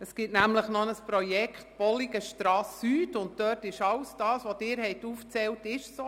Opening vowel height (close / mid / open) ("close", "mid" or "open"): mid